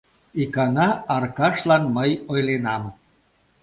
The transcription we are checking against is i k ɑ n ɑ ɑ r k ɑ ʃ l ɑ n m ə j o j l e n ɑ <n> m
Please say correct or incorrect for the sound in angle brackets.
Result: incorrect